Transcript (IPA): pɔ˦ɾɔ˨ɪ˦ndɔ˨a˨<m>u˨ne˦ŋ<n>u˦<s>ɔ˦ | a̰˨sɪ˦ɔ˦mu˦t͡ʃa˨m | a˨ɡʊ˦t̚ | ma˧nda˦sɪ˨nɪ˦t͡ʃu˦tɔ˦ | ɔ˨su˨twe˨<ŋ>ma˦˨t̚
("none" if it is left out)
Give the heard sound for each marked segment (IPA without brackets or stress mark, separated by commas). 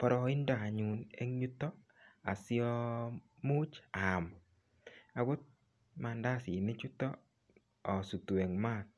ɲ, ɲ, t, ŋ